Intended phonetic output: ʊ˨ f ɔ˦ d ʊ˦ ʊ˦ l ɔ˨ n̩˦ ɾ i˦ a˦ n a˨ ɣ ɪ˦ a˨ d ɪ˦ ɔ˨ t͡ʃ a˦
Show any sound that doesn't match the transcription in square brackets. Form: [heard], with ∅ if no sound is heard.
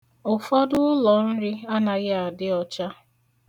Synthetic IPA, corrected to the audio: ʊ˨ f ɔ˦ d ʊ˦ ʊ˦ l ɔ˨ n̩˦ ɾ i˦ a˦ n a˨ ɣ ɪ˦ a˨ d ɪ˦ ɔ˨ t͡ʃ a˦